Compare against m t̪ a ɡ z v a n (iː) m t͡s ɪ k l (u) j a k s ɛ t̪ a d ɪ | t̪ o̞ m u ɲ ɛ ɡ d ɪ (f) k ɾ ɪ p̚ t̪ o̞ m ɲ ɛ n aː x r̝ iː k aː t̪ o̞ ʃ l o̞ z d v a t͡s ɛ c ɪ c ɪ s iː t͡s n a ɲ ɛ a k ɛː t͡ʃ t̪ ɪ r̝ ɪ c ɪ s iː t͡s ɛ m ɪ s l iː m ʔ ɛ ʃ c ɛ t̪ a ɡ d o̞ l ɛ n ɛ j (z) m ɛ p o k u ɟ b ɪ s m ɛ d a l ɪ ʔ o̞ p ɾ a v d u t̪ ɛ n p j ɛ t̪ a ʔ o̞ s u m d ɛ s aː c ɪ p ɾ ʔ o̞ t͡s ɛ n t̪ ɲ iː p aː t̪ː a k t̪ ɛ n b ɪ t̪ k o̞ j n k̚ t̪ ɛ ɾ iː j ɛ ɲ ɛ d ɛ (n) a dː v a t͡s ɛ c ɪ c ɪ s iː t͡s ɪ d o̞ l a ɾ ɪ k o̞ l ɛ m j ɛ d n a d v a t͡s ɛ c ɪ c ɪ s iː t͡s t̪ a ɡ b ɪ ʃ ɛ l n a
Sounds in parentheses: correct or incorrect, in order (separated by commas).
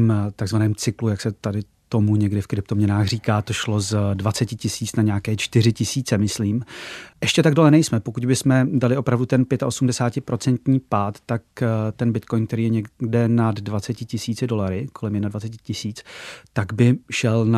incorrect, correct, correct, incorrect, correct